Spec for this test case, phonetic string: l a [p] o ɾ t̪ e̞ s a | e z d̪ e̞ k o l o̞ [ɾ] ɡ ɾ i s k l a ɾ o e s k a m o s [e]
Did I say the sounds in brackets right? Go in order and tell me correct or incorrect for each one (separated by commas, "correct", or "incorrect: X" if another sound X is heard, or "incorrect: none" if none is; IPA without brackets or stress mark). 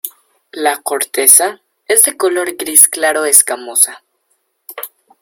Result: incorrect: k, correct, incorrect: a